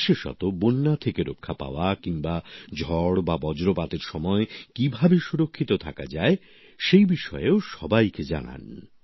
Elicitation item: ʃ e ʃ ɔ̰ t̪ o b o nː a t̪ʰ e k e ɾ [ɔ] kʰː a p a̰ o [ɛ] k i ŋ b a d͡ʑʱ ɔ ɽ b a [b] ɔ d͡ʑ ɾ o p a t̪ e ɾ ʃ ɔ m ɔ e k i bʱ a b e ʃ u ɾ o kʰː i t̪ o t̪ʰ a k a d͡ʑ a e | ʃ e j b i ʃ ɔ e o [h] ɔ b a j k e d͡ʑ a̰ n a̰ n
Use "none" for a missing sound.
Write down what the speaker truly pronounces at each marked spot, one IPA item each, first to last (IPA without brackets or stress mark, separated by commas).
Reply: o, a, b, ʃ